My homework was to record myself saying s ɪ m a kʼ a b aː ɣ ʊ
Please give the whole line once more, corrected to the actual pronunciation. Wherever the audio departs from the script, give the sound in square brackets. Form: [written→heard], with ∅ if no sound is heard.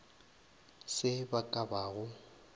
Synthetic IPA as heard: s ɪ [m→b] a kʼ a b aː ɣ ʊ